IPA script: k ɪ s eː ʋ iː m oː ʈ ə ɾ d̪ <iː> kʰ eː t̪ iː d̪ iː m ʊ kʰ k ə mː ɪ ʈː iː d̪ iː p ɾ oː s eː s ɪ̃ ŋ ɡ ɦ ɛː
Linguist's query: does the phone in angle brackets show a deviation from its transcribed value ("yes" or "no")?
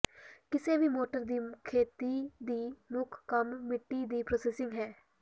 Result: no